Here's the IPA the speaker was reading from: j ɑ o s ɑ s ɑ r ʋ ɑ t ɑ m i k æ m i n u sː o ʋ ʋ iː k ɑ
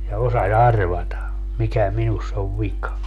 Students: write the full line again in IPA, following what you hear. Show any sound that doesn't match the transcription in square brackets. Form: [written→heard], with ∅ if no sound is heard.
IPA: j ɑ o s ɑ s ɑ r ʋ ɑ t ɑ m i k æ m i n u sː o ʋ ʋ [iː→i] k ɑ